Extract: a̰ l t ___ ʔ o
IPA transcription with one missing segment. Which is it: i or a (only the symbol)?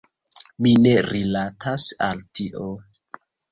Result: i